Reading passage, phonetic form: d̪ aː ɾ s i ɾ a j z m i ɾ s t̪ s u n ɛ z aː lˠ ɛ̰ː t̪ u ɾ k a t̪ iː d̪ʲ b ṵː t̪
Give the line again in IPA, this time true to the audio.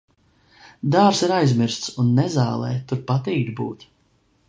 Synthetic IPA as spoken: d̪ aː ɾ s i ɾ a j z m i ɾ s t̪ s u nː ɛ z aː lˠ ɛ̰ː t̪ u ɾ p a t̪ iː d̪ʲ b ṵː t̪